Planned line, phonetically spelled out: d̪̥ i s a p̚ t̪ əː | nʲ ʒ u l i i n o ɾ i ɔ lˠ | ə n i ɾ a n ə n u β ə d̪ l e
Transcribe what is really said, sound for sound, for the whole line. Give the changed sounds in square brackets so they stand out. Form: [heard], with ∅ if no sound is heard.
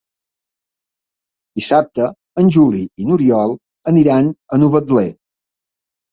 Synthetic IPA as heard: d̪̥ i s a p̚ t̪ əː | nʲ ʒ u l i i n [u] ɾ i ɔ lˠ | ə n i ɾ a n ə n u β ə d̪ l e